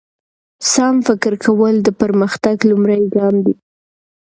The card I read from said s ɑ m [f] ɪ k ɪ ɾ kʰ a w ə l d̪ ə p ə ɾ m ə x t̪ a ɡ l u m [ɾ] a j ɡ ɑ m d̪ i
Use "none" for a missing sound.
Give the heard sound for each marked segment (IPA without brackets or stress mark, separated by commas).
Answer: f, ɾ